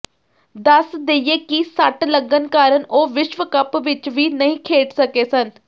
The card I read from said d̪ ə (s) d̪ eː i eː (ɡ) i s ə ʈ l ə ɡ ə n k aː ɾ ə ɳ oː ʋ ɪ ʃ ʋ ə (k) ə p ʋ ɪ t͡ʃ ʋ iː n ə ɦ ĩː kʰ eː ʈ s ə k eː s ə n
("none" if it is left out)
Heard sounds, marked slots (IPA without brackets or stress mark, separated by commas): s, k, k